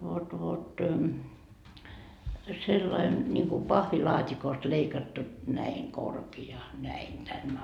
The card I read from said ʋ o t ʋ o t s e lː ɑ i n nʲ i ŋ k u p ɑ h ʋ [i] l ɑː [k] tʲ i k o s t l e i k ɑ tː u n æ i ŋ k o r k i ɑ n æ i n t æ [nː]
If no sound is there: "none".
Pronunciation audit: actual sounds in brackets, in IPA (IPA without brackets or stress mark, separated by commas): i, none, nː